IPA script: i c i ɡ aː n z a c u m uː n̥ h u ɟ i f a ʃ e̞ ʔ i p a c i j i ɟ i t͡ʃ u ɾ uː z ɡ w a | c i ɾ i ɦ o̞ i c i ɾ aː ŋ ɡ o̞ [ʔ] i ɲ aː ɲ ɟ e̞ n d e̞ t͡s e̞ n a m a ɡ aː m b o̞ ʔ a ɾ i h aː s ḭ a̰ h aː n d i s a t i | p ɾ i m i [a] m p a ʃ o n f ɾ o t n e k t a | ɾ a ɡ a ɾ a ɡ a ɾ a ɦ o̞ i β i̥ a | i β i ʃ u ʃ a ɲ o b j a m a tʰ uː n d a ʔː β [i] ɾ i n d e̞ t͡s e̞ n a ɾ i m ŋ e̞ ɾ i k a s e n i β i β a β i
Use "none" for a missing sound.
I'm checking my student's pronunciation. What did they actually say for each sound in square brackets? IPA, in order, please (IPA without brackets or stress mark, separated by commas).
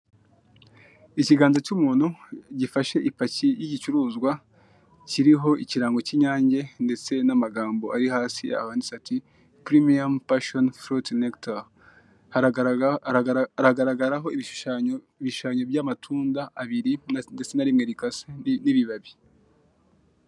c, a, i